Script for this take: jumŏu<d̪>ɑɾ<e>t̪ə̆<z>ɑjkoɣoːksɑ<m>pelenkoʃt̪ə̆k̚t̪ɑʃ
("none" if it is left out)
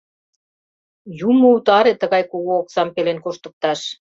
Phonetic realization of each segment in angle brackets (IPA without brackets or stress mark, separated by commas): t̪, e, ɣ, m